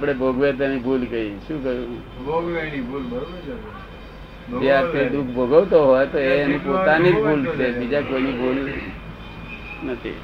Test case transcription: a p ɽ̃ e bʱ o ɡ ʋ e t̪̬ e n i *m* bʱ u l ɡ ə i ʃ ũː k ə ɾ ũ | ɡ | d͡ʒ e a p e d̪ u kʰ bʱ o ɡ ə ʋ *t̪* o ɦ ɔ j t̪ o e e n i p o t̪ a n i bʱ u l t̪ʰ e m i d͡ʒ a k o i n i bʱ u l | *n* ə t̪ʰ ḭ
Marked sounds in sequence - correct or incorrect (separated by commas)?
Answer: incorrect, correct, correct